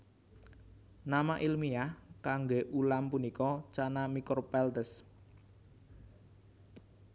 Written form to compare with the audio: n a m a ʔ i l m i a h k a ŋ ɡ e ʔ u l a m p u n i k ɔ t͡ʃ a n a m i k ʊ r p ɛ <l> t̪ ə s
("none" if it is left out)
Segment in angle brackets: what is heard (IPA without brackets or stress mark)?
l